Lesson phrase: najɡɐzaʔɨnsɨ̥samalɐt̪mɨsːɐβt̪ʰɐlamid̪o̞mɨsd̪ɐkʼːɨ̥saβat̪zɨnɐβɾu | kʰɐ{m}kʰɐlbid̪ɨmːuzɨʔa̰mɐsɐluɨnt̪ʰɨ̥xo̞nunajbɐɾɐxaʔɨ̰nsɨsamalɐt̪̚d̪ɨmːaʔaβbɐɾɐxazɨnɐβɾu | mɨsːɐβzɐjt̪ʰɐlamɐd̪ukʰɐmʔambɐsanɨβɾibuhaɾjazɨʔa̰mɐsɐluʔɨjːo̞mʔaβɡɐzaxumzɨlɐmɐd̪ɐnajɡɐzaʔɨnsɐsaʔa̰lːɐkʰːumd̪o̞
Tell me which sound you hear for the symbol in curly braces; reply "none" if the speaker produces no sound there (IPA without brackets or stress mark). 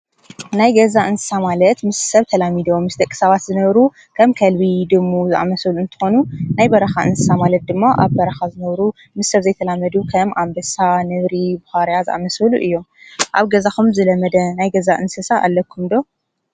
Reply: m